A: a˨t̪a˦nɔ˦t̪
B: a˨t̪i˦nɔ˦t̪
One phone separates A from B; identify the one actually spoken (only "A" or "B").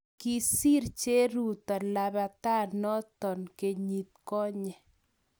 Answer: A